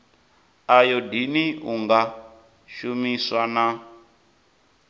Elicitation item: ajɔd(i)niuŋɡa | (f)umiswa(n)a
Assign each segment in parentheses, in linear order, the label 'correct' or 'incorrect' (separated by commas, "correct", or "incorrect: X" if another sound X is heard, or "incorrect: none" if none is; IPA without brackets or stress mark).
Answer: correct, incorrect: ʃ, correct